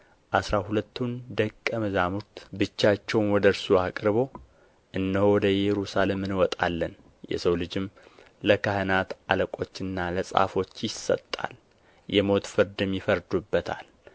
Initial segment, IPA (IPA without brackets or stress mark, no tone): ʔ